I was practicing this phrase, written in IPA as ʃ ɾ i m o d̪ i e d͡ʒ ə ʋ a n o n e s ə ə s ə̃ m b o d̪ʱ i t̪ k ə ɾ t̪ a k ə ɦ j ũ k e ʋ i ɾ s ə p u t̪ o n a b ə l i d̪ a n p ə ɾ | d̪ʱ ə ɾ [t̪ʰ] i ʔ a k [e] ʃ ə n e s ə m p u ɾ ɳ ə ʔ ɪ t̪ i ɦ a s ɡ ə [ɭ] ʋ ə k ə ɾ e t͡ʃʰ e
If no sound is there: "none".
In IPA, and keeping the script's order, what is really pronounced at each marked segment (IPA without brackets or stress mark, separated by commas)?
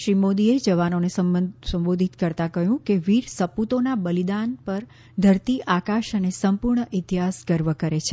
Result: t̪, a, ɾ